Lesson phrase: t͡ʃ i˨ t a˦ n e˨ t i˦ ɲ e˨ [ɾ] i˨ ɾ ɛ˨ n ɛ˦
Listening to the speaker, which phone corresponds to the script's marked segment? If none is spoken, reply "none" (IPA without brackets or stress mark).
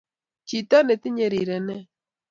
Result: ɾ